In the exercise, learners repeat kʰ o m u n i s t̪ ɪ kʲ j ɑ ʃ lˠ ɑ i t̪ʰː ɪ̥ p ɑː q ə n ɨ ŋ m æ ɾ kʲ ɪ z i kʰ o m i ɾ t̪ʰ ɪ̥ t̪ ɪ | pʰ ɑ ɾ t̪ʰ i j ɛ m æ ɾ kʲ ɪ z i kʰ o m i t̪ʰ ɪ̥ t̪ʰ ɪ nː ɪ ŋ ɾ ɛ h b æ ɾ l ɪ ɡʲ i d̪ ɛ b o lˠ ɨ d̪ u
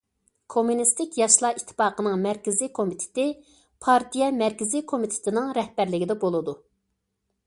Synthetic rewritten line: kʰ o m u n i s t̪ ɪ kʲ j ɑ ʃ lˠ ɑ i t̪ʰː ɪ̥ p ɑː q ə n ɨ ŋ m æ ɾ kʲ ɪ z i kʰ o m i t̪ʰ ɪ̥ t̪ ɪ | pʰ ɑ ɾ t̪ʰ i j ɛ m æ ɾ kʲ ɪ z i kʰ o m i t̪ʰ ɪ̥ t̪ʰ ɪ n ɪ ŋ ɾ ɛ h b æ ɾ l ɪ ɡʲ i d̪ ɛ b o lˠ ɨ d̪ u